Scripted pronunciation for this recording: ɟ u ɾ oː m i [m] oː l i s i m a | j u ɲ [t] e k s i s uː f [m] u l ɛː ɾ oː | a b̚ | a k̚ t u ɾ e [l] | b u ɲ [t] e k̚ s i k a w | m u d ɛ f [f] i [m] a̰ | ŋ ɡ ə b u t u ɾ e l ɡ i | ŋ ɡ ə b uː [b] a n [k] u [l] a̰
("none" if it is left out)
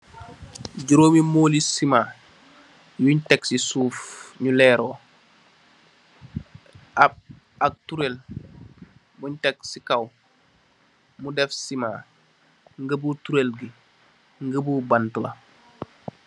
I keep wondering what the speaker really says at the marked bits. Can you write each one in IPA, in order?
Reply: m, t, ɲ, l, t, s, m, b, t, l

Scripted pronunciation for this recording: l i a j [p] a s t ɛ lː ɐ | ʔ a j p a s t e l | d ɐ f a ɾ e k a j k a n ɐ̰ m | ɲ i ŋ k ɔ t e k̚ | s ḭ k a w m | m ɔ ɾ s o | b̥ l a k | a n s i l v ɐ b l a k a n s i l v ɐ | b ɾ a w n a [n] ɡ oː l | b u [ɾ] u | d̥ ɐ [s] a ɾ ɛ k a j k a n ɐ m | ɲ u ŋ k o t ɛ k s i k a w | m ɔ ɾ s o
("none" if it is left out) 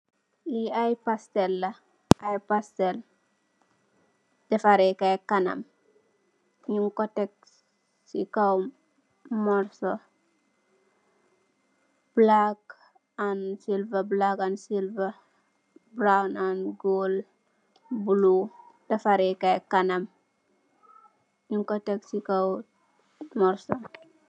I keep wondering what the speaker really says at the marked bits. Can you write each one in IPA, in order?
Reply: p, n, l, f

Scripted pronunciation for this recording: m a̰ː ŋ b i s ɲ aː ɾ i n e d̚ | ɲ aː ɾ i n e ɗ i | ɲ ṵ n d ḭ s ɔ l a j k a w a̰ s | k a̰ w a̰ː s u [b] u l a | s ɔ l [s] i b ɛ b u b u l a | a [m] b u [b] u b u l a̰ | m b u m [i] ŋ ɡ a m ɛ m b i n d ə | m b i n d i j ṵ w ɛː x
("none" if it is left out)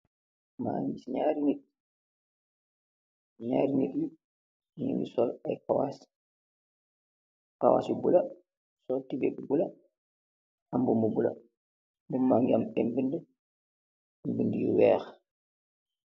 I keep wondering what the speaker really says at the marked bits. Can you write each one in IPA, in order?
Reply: b, t, m, m, a

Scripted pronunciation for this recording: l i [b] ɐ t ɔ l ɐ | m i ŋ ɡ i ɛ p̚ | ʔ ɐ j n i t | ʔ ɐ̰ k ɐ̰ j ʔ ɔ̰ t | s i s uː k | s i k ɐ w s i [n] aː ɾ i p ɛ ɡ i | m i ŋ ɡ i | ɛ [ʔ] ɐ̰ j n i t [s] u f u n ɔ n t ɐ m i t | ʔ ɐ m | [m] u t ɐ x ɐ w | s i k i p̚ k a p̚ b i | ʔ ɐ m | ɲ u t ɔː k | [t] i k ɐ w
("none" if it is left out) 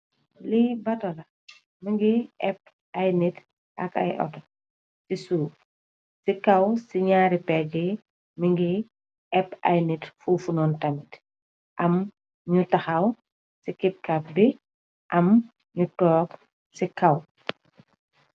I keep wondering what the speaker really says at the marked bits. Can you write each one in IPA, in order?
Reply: b, ɲ, p, f, ɲ, s

